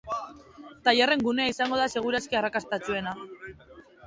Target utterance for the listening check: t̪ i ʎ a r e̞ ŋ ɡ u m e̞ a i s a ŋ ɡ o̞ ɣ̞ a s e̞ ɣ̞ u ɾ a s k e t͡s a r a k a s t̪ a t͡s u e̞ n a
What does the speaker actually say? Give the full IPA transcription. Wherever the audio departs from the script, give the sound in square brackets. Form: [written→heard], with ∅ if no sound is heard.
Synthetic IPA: t̪ [i→a] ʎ a r e̞ ŋ ɡ u [m→n] e̞ a i s a ŋ ɡ o̞ [ɣ̞→ð̞] a s e̞ ɣ̞ u ɾ a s k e [t͡s→∅] a r a k a s t̪ a t͡s u e̞ n a